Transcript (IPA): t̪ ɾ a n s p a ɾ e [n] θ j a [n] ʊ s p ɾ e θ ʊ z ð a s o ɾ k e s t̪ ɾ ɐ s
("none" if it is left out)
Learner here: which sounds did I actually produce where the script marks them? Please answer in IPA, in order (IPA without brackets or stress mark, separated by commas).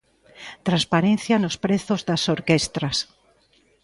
n, n